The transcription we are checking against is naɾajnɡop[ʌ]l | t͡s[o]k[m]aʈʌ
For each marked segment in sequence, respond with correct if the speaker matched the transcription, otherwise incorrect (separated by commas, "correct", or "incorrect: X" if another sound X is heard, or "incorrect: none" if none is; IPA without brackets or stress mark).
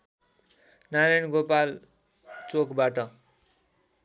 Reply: incorrect: a, correct, incorrect: b